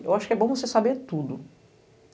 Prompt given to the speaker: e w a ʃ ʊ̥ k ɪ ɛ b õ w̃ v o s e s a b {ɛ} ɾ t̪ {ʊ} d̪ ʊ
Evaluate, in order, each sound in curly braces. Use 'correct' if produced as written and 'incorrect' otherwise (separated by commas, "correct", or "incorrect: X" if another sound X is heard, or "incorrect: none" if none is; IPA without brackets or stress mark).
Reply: incorrect: e, incorrect: u